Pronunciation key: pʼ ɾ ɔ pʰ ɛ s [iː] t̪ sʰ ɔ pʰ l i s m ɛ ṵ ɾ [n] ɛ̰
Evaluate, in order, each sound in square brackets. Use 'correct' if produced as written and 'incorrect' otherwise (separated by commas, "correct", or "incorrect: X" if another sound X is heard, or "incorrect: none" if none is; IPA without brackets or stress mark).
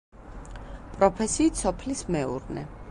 correct, correct